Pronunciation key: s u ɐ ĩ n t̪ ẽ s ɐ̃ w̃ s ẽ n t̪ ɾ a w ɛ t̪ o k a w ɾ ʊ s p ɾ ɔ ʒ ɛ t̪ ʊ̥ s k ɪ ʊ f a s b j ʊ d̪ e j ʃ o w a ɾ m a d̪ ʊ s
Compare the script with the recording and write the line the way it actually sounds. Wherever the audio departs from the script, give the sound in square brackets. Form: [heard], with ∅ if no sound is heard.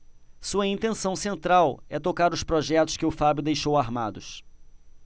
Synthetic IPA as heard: s u ɐ ĩ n t̪ ẽ s ɐ̃ w̃ s ẽ n t̪ ɾ a w ɛ t̪ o k a [∅] ɾ ʊ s p ɾ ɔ ʒ ɛ t̪ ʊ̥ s k ɪ ʊ f a [∅] b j ʊ d̪ e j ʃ o w a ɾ m a d̪ ʊ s